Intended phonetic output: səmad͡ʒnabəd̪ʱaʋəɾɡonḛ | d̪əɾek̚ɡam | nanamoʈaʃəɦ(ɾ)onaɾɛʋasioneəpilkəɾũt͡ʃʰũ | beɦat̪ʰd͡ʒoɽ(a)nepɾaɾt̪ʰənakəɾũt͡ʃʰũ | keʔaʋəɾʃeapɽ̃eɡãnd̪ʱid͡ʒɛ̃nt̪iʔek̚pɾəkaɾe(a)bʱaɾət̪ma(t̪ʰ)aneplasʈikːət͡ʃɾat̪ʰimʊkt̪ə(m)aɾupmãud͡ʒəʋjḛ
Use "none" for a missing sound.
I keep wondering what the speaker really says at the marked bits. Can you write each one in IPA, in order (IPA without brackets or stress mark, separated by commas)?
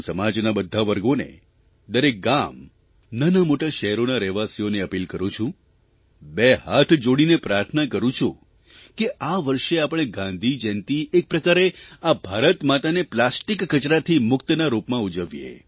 ɾ, i, a, t̪, n